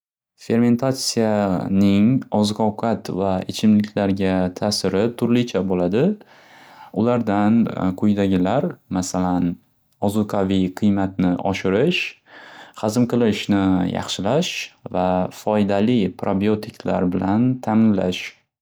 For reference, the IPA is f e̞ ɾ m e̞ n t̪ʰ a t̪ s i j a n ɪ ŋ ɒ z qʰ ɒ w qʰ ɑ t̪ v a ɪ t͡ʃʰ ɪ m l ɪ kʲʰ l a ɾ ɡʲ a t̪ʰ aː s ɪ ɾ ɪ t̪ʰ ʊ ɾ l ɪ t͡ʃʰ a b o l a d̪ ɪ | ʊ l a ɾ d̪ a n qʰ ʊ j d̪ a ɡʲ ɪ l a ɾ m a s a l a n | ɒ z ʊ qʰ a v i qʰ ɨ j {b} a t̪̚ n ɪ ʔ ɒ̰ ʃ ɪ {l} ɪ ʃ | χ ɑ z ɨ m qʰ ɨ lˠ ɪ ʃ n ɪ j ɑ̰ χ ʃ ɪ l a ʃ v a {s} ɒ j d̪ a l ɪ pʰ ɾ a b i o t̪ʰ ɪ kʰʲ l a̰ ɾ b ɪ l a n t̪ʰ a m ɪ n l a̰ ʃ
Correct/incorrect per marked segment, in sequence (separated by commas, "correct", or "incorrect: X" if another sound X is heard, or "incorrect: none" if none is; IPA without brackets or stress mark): incorrect: m, incorrect: ɾ, incorrect: f